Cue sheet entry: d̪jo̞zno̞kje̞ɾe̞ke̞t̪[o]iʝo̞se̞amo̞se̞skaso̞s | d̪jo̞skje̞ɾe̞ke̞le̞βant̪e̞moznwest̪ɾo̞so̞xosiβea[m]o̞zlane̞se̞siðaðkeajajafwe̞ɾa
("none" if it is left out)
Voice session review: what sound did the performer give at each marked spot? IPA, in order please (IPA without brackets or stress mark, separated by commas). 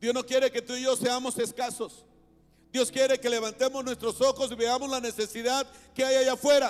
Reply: u, m